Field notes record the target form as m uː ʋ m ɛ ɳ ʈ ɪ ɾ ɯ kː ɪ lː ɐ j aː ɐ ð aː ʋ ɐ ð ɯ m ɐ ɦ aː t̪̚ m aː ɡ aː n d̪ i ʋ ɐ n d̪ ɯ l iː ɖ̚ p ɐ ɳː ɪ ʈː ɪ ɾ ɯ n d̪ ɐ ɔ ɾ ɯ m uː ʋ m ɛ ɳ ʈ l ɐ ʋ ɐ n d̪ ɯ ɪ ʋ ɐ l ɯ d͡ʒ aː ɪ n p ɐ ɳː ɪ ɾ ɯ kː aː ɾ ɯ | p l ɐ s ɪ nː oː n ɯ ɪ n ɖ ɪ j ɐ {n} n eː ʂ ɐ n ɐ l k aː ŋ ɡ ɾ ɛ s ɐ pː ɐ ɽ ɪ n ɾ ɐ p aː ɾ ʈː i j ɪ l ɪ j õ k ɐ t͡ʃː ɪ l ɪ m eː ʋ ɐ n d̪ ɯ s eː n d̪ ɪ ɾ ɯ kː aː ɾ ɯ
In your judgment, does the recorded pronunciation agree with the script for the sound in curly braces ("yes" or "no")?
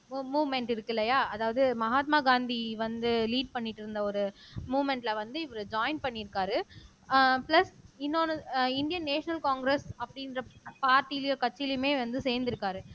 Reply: yes